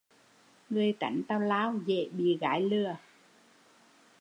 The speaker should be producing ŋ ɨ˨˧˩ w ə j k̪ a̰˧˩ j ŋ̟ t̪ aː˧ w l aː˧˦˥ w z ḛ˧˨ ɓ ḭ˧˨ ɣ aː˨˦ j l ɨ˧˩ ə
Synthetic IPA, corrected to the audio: ŋ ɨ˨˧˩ ə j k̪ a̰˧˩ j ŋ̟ t̪ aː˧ w l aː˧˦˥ w z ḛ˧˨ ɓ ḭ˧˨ ɣ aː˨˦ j l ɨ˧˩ ə